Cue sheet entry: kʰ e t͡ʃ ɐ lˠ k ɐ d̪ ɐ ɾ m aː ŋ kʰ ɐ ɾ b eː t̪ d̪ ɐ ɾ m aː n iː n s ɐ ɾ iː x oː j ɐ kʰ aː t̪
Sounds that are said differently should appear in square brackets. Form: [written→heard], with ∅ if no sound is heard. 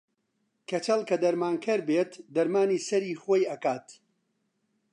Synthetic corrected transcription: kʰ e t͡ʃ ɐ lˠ k ɐ d̪ ɐ ɾ m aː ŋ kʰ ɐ ɾ b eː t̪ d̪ ɐ ɾ m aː n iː [n→∅] s ɐ ɾ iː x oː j ɐ [kʰ→k] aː t̪